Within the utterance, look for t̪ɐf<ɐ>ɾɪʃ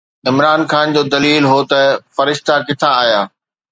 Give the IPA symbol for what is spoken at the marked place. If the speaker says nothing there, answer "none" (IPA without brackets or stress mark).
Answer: ɐ